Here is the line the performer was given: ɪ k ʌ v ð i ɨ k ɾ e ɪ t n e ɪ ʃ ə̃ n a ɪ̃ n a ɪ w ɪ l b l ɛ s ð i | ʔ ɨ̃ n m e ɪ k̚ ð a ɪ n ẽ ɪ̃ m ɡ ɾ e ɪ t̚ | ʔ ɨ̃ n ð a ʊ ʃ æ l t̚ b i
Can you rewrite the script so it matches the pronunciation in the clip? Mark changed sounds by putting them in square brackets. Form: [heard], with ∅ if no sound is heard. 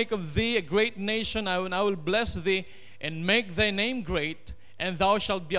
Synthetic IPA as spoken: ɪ k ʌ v ð i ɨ [ɡ] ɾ e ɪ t n e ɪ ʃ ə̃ n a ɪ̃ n a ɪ w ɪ l b l ɛ s ð i | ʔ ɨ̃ n m e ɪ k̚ ð a ɪ n ẽ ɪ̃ m ɡ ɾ e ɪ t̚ | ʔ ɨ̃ n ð a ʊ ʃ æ l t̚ b i